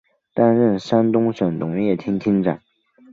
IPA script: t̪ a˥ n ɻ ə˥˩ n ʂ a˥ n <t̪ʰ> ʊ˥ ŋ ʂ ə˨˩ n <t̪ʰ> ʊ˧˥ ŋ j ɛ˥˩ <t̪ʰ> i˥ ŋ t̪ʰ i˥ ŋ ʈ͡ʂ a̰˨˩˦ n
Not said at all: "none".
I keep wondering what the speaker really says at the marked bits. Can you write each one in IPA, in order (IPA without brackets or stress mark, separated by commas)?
t̪, t̪, t̪ʰ